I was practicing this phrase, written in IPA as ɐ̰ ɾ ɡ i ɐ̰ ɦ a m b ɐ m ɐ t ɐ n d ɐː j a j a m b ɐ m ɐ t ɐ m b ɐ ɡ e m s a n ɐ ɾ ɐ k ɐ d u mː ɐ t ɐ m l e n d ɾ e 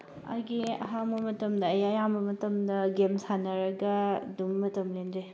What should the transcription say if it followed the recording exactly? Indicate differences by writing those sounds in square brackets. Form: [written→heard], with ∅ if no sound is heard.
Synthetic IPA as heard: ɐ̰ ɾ ɡ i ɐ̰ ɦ a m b ɐ m ɐ t ɐ [n→m] d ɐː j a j a m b ɐ m ɐ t ɐ m [b→d] ɐ ɡ e m s a n ɐ ɾ ɐ [k→ɡ] ɐ d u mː ɐ t ɐ m l e n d ɾ e